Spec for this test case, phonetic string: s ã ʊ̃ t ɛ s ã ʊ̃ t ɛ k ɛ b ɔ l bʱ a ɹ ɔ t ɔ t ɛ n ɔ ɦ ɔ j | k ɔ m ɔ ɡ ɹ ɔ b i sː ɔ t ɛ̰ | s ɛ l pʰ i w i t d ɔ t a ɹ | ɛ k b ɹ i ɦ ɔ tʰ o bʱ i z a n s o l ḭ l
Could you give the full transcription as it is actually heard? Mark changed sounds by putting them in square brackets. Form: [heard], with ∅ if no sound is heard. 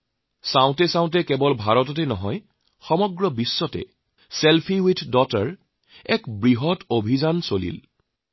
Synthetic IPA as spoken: s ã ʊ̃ t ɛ s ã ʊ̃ t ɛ k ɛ b ɔ l bʱ a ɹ ɔ t ɔ t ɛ n ɔ ɦ ɔ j | [x] ɔ m ɔ ɡ ɹ ɔ b i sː ɔ t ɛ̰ | s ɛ l pʰ i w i t d ɔ t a ɹ | ɛ k b ɹ i ɦ ɔ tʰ o bʱ i z a n s o l ḭ l